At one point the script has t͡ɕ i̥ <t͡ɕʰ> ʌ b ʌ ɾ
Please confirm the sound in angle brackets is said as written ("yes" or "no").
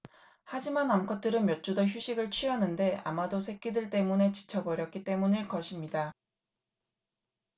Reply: yes